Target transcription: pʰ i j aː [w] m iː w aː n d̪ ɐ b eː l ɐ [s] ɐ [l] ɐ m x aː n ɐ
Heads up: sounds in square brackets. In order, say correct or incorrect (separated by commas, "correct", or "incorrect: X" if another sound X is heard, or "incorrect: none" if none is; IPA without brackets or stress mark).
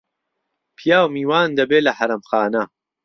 correct, incorrect: ħ, incorrect: ɾ